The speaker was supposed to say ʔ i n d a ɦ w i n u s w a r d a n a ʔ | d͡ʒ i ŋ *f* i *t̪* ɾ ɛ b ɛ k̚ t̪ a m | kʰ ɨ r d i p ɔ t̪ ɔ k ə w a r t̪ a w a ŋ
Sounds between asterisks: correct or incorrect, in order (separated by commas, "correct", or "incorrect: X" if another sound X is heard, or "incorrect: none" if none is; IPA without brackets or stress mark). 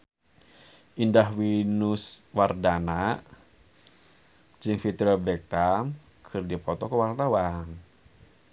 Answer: correct, correct